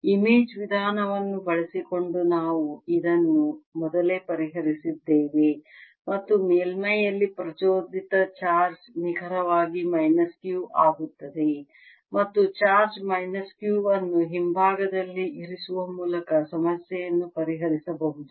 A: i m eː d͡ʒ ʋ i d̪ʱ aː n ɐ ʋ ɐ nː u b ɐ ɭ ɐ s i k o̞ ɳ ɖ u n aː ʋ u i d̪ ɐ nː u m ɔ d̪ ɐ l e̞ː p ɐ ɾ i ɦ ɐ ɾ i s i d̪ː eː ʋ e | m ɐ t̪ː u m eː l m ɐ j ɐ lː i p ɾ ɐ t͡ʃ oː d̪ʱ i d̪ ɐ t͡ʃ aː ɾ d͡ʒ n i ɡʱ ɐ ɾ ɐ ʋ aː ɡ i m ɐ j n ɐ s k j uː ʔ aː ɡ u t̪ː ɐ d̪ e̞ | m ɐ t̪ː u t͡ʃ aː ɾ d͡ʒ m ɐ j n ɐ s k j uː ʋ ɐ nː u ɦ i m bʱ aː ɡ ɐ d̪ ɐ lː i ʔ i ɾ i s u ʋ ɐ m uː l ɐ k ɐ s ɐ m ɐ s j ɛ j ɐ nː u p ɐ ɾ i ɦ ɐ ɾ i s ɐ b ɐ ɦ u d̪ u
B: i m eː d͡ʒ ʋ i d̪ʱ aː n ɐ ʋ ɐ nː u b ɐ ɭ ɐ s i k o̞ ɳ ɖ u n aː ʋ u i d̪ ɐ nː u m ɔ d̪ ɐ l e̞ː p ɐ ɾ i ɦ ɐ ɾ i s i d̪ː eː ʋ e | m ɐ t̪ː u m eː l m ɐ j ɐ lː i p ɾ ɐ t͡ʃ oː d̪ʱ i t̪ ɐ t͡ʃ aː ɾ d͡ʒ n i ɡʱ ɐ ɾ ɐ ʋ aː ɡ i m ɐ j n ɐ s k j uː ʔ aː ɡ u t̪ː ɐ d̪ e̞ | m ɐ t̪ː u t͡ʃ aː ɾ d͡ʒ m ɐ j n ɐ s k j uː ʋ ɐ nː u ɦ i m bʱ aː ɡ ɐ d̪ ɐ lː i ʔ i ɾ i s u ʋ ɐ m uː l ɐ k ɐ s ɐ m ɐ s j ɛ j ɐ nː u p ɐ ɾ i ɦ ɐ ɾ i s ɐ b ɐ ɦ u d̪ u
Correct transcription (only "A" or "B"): B